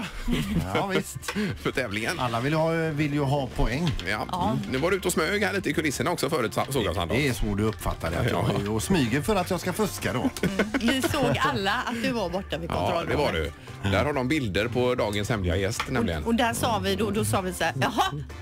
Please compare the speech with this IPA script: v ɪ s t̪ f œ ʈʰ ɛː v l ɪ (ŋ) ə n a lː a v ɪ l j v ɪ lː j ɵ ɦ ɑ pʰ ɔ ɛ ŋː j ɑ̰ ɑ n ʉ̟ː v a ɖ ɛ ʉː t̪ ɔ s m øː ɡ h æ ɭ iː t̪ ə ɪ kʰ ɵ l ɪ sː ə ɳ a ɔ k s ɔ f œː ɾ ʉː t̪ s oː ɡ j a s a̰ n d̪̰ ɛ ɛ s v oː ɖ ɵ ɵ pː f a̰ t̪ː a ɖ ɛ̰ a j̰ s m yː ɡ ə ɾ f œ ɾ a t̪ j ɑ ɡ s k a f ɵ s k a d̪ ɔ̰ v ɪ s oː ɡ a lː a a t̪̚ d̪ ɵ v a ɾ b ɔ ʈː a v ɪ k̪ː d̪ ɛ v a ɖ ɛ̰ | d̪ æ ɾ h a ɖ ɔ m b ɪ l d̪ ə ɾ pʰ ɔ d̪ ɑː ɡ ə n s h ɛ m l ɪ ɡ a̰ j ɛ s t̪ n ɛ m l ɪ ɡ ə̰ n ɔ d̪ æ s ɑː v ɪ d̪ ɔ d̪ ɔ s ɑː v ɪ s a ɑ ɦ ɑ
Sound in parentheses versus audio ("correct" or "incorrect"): correct